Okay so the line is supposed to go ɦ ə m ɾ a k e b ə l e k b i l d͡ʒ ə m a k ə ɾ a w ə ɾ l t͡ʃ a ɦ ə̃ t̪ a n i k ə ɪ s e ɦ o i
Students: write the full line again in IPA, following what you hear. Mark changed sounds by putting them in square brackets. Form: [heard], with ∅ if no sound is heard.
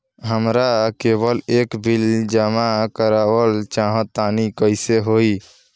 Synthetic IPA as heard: ɦ ə m ɾ a k e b ə l e k b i l d͡ʒ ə m a k ə ɾ a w ə [∅] l t͡ʃ a ɦ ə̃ t̪ a n i k ə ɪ s e ɦ o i